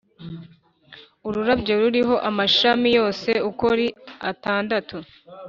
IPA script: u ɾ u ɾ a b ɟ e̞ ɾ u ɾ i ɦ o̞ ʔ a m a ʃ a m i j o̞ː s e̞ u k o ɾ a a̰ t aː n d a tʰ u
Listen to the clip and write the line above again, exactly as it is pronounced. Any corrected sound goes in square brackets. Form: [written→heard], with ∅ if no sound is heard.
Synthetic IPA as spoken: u ɾ u ɾ a b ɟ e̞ ɾ u ɾ i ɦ o̞ ʔ a m a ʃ a m i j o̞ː s e̞ u k o ɾ [a→i] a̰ t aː n d a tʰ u